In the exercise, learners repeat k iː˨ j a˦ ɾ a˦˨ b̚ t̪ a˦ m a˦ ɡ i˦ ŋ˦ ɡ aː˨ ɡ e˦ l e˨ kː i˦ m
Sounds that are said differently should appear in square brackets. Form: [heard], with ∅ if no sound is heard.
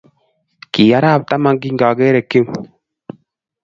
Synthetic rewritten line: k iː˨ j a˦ ɾ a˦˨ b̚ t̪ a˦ m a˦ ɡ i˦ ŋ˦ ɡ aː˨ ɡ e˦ [ɾ] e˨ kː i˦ m